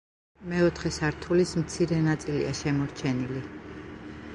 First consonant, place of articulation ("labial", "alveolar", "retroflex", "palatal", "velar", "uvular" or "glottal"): labial